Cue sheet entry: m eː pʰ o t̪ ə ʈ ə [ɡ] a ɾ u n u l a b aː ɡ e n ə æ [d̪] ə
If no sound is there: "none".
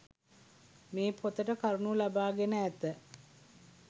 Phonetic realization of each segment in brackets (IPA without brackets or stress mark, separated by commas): k, t̪